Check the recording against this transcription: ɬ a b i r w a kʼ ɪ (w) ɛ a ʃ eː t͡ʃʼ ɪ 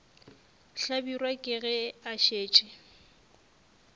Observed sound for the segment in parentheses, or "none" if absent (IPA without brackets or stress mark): ɣ